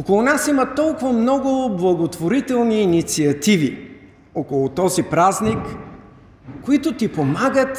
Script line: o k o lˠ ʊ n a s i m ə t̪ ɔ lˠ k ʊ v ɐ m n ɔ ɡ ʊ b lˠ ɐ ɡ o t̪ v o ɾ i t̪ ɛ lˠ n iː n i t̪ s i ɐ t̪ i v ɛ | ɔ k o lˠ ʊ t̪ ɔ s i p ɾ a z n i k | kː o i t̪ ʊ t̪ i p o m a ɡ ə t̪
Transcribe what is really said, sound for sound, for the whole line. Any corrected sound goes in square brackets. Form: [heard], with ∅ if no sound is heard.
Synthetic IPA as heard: o k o lˠ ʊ n a s i m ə t̪ ɔ lˠ k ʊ v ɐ m n ɔ ɡ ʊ b lˠ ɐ ɡ o t̪ v o ɾ i t̪ ɛ lˠ n iː n i t̪ s i ɐ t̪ i v [i] | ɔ k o lˠ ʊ t̪ ɔ [z] i p ɾ a z n i k | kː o i t̪ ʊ t̪ i p o m a ɡ ə t̪